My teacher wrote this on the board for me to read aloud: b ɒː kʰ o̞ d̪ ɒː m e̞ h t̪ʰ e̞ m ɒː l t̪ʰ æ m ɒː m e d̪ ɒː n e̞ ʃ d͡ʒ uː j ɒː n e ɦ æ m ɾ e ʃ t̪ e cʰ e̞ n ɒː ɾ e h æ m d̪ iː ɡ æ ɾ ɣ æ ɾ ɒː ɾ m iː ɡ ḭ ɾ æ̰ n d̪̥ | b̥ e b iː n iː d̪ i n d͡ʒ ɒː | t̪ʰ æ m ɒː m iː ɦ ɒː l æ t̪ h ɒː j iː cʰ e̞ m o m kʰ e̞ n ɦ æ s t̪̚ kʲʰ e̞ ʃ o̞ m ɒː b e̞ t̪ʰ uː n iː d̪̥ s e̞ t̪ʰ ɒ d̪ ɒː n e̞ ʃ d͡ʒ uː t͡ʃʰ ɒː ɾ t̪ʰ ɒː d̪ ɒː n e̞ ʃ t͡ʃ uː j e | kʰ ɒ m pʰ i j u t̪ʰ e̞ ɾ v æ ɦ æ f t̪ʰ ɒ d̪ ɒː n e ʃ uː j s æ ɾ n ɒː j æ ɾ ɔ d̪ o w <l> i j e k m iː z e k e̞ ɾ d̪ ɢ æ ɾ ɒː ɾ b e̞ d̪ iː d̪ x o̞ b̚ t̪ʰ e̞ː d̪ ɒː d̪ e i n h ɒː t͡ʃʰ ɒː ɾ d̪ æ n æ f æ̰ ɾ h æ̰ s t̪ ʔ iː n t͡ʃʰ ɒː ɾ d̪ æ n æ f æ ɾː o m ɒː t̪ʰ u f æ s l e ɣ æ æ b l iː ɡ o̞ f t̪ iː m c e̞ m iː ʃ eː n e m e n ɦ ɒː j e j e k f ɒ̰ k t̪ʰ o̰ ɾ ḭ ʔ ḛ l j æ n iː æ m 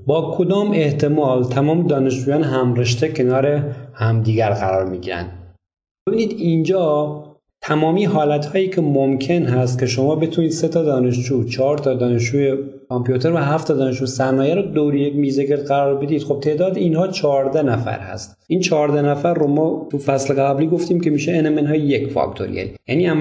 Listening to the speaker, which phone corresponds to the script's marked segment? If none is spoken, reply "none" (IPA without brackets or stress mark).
ɾ